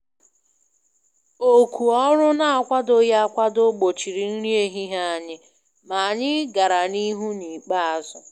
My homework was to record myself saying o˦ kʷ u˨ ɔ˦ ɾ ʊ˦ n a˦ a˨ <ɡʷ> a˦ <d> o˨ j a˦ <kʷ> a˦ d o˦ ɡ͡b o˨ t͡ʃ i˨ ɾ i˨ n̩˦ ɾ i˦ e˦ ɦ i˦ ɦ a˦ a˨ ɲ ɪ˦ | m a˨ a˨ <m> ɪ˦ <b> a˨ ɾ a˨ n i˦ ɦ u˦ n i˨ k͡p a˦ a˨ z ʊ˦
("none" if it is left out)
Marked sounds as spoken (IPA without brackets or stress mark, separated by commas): kʷ, d, kʷ, ɲ, ɡ